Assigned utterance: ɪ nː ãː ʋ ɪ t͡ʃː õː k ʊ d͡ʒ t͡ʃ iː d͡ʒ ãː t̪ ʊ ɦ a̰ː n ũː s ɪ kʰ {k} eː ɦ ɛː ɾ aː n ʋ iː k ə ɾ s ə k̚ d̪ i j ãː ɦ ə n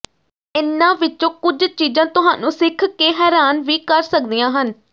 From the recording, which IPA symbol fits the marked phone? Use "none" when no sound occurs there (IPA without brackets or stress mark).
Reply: k